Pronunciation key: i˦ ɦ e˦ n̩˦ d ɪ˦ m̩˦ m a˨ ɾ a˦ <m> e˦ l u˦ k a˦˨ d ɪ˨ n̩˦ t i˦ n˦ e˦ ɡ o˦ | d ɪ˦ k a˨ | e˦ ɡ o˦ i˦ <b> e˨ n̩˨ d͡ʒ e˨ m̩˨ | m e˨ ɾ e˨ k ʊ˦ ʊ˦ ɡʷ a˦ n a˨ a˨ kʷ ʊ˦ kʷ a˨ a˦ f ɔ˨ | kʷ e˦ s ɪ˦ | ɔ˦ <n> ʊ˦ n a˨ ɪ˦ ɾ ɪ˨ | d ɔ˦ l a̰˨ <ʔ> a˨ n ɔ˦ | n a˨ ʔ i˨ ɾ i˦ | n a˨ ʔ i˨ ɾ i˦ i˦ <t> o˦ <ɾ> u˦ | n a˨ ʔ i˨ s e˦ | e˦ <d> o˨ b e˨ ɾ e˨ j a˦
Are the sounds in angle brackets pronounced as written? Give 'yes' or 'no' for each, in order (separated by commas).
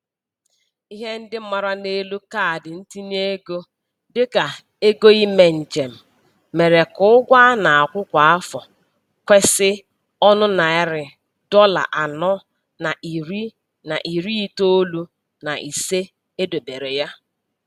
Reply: no, no, yes, yes, yes, no, yes